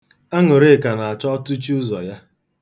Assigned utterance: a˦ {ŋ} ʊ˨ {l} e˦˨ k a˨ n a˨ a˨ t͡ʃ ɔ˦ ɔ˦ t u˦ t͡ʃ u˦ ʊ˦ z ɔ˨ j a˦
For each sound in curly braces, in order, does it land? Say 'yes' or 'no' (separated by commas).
yes, no